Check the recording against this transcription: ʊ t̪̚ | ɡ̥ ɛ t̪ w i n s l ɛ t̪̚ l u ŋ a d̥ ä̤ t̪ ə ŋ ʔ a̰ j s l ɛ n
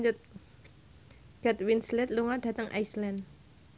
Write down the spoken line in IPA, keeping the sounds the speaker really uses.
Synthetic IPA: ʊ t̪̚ | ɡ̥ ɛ t̪ w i n s l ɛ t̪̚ l u ŋ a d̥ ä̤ t̪ ə ŋ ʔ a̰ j s l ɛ n